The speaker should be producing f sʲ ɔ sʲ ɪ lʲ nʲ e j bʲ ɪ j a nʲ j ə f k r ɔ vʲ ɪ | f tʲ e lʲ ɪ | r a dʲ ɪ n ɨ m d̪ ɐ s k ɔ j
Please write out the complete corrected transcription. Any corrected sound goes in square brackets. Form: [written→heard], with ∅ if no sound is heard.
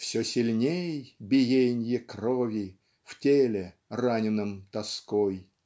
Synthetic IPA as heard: f sʲ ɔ sʲ ɪ lʲ nʲ e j bʲ ɪ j [a→e] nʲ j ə [f→∅] k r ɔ vʲ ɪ | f tʲ e lʲ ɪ | r a [dʲ→nʲ] ɪ n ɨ m [d̪→t̪] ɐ s k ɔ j